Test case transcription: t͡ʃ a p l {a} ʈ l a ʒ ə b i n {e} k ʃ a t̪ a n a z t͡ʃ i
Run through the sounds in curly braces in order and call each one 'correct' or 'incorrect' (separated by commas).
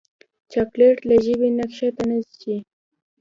incorrect, incorrect